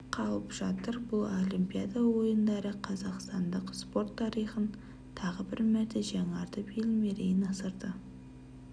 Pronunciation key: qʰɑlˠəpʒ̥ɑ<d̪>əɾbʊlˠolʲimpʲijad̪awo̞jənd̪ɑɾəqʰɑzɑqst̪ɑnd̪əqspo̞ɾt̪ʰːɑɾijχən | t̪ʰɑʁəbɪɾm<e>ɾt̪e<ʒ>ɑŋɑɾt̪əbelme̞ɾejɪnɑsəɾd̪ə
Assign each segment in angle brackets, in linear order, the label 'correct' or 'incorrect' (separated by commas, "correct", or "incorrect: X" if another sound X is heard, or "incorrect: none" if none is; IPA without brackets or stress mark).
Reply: incorrect: t̪, incorrect: æ, correct